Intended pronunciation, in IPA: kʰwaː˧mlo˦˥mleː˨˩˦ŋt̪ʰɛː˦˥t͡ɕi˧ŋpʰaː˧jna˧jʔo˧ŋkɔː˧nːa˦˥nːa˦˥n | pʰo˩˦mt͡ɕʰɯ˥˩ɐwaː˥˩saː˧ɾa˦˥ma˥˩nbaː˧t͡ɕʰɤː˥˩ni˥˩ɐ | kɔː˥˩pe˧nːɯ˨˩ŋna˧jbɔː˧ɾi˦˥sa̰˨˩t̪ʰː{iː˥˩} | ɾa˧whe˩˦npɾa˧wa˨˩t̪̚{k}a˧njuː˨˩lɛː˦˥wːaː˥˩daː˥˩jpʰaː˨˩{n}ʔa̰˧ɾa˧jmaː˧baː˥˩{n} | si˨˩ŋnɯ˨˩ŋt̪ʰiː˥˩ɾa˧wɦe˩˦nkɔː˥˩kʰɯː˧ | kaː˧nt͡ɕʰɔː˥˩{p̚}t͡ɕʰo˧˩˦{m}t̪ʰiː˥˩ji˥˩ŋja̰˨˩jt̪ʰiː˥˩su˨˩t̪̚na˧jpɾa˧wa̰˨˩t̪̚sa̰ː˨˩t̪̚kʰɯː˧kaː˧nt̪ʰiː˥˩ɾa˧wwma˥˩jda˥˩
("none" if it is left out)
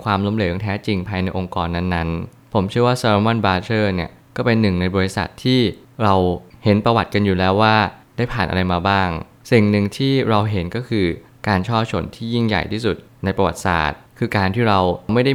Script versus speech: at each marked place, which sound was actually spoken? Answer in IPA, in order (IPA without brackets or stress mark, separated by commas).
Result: iː˥˩, k, n, ŋ, p̚, n